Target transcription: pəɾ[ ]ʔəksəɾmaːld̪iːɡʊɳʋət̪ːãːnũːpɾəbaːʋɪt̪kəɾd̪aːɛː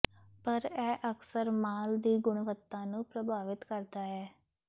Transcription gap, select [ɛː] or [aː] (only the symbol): ɛː